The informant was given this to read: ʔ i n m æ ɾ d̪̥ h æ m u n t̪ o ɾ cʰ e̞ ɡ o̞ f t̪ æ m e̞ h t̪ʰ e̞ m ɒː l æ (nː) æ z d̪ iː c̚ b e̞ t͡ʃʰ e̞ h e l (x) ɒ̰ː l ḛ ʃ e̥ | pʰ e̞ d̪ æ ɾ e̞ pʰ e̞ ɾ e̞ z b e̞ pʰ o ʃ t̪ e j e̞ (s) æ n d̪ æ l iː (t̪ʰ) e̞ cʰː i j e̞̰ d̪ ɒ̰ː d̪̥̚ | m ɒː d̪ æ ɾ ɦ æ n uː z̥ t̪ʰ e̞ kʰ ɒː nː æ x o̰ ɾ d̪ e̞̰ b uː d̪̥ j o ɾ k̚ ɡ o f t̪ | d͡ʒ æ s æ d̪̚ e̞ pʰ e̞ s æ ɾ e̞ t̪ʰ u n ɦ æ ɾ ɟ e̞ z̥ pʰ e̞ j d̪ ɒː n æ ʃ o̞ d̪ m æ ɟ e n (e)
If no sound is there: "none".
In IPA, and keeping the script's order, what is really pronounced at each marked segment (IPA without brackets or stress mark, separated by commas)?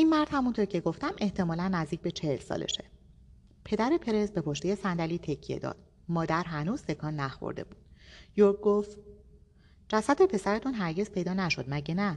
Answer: nː, s, s, t̪ʰ, æ